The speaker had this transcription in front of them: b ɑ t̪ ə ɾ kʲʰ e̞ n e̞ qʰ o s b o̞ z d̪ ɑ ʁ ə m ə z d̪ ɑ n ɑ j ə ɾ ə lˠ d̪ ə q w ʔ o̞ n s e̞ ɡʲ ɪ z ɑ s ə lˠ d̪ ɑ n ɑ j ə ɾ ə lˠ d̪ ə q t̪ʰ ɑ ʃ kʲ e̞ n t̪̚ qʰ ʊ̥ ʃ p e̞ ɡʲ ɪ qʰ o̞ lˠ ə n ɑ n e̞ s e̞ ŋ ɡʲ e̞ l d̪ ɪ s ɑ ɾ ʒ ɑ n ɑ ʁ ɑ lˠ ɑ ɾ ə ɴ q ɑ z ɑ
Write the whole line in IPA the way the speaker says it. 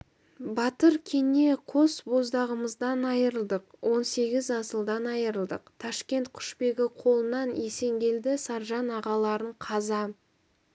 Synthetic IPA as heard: b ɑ t̪ ə ɾ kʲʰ e̞ n e̞ qʰ o s b o̞ z d̪ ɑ ʁ ə m ə z d̪ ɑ n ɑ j ə ɾ ə lˠ d̪ ə q w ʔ o̞ n s e̞ ɡʲ ɪ z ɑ s ə lˠ d̪ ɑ n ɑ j ə ɾ ə lˠ d̪ ə q t̪ʰ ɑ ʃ kʲ e̞ n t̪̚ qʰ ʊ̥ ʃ p e̞ ɡʲ ɪ qʰ o̞ lˠ ə n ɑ n e̞ s e̞ ŋ ɡʲ e̞ l d̪ ɪ s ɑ ɾ ʒ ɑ n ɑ ʁ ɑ lˠ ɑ ɾ ə ɴ qʰ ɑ z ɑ